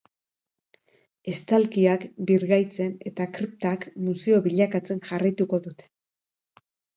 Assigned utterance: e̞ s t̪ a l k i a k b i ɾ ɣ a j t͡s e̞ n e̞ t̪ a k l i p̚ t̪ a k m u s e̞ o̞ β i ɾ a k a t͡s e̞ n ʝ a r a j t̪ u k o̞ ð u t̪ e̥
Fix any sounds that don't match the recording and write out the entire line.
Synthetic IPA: e̞ s t̪ a l k i a k b i ɾ ɣ a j t͡s e̞ n e̞ t̪ a k ɾ i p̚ t̪ a k m u s e̞ o̞ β i ʎ a k a t͡s e̞ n ʝ a r a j t̪ u k o̞ ð u t̪ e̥

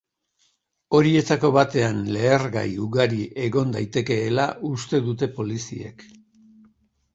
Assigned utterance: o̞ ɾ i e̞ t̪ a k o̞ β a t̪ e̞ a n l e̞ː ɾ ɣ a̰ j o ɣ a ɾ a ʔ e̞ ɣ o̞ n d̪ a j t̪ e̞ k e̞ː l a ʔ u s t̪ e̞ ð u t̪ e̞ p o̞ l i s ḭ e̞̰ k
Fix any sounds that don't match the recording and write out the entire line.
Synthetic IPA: o̞ ɾ i e̞ t̪ a k o̞ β a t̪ e̞ a n l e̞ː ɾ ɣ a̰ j u ɣ a ɾ i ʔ e̞ ɣ o̞ n d̪ a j t̪ e̞ k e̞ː l a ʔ u s t̪ e̞ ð u t̪ e̞ p o̞ l i s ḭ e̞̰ k

